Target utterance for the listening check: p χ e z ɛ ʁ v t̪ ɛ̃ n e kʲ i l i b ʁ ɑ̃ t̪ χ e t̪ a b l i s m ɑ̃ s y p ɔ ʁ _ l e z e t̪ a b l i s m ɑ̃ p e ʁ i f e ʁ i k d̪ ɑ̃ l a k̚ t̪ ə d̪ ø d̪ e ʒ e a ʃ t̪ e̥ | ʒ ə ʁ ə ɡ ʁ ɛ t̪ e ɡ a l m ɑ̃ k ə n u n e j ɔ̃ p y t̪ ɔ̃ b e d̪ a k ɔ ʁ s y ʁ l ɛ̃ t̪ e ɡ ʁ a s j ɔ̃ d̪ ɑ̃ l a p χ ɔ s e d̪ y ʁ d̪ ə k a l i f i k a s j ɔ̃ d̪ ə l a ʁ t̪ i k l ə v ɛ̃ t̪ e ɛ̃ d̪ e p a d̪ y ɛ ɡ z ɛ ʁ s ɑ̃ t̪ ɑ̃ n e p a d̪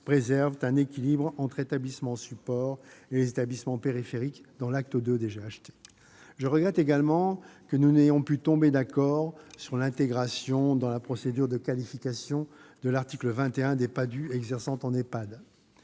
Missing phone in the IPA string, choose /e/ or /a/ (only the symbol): e